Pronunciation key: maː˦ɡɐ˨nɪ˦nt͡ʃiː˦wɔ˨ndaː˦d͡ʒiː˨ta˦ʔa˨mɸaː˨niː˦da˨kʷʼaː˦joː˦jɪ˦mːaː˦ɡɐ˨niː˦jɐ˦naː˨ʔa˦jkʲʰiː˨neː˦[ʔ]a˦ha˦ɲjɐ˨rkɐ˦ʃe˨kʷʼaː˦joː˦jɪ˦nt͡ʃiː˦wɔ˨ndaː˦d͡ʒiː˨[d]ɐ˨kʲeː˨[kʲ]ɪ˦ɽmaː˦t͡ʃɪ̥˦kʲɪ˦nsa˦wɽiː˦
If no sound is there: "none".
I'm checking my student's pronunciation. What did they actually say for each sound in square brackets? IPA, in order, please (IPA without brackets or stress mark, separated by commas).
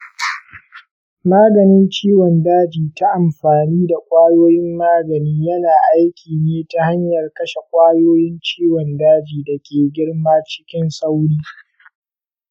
t, d, ɡʲ